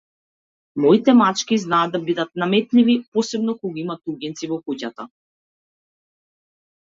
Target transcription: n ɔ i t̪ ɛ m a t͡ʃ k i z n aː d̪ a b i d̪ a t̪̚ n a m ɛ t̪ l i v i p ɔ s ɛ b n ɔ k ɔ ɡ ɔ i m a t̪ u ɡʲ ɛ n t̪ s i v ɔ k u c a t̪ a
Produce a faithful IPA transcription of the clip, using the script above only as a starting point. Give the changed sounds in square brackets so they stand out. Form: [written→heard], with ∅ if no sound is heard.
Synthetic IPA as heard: [n→m] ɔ i t̪ ɛ m a t͡ʃ k i z n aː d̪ a b i d̪ a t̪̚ n a m ɛ t̪ l i v i p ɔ s ɛ b n ɔ k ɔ ɡ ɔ i m a t̪ u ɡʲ ɛ n t̪ s i v ɔ k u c a t̪ a